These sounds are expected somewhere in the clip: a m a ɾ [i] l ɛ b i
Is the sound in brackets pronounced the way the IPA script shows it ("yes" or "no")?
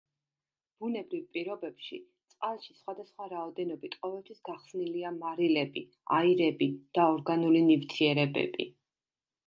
yes